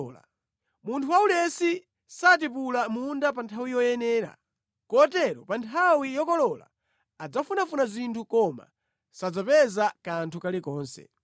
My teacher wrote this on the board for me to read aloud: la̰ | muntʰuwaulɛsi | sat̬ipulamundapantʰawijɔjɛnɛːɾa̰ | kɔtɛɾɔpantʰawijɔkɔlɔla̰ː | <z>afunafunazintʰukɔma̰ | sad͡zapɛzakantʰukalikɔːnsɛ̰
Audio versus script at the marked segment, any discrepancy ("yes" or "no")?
yes